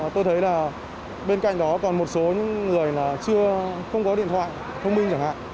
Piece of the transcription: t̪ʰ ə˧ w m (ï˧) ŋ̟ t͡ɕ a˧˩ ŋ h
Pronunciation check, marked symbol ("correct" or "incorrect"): correct